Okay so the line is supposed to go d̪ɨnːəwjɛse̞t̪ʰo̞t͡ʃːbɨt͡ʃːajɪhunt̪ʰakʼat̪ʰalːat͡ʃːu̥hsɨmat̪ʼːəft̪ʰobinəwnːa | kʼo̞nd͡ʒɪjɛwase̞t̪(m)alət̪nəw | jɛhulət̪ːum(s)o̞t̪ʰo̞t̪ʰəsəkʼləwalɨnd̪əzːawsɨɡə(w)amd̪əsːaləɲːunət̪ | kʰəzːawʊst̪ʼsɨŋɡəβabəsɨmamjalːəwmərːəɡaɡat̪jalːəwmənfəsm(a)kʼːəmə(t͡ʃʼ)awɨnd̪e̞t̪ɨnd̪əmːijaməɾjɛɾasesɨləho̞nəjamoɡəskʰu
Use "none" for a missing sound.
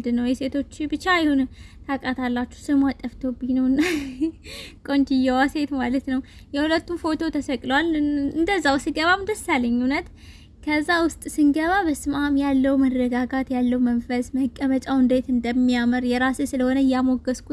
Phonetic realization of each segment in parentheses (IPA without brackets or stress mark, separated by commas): m, f, β, ə, t͡ʃʼ